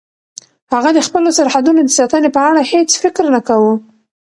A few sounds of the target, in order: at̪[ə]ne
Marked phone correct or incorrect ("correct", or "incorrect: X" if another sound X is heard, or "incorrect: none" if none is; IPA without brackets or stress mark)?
correct